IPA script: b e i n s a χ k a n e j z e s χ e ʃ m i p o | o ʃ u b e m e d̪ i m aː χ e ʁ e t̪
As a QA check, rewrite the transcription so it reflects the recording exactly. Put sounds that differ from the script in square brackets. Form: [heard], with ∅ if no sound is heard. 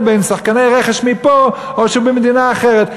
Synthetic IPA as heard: b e [j] n s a χ k a n e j [ʁ] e [∅] χ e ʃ m i p o | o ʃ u b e m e d̪ i [n] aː χ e ʁ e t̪